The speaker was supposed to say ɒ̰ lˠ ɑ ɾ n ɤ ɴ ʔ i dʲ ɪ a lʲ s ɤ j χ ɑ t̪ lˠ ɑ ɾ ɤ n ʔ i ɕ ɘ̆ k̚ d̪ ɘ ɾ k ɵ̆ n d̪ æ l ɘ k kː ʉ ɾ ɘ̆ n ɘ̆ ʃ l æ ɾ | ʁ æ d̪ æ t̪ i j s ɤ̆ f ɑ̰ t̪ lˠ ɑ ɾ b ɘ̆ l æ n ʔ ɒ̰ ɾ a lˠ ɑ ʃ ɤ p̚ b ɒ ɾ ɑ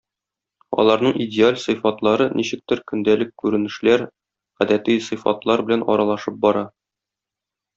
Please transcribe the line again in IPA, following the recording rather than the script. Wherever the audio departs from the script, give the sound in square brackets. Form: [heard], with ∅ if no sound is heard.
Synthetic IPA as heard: ɒ̰ lˠ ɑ ɾ n ɤ ɴ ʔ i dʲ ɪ a lʲ s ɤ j [f] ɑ t̪ lˠ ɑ ɾ ɤ n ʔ i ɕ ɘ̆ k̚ [t̪] ɘ ɾ k ɵ̆ n d̪ æ l ɘ k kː ʉ ɾ ɘ̆ n ɘ̆ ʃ l æ ɾ | ʁ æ d̪ æ t̪ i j s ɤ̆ f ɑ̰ t̪ lˠ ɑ ɾ b ɘ̆ l æ n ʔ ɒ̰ ɾ [ɑ] lˠ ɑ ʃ ɤ p̚ b ɒ ɾ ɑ